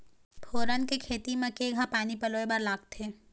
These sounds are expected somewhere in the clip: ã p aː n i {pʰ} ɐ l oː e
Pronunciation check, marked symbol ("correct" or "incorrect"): incorrect